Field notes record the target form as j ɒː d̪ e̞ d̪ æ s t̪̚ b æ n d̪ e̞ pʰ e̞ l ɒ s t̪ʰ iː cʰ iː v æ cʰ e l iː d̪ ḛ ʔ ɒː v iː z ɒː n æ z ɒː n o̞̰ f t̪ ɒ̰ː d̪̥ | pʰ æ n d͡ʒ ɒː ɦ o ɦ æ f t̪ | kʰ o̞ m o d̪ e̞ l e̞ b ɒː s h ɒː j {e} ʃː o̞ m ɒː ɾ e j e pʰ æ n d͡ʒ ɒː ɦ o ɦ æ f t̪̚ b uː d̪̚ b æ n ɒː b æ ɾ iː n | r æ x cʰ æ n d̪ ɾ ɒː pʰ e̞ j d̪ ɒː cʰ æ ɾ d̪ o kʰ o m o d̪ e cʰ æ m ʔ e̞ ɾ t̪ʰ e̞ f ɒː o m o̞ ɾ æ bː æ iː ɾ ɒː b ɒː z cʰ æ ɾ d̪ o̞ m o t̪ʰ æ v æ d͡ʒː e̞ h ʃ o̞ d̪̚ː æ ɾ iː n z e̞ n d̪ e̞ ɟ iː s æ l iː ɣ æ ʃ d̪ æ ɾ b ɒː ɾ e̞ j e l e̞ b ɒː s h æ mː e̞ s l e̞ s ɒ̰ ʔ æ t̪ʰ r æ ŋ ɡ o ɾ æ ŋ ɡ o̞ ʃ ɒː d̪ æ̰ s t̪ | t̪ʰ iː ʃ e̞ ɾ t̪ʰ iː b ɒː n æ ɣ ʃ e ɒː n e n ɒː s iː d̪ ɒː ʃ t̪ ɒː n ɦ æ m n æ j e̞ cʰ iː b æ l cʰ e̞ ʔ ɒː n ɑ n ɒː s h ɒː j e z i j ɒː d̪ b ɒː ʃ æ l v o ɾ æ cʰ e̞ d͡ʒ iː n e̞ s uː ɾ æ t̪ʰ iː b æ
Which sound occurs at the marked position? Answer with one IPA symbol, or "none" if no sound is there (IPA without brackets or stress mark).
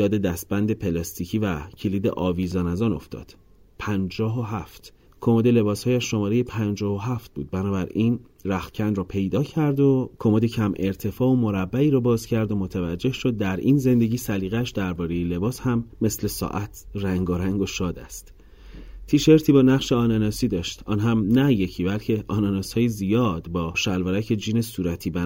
æ